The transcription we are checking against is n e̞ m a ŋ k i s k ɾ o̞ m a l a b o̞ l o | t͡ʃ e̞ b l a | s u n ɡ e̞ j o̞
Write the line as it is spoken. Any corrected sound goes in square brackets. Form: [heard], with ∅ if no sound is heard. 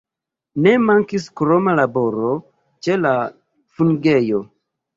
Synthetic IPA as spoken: n e̞ m a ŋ k i s k ɾ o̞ m a l a b o̞ [ɾ] o | t͡ʃ e̞ [∅] l a | [f] u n ɡ e̞ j o̞